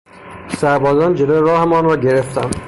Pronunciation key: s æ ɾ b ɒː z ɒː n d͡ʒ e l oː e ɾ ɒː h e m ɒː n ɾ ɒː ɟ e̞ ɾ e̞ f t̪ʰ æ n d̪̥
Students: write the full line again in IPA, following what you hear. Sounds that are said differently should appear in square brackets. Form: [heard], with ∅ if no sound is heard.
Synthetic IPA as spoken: s æ ɾ b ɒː z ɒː n d͡ʒ e l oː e ɾ ɒː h e m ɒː n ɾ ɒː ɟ e̞ ɾ e̞ f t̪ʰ æ n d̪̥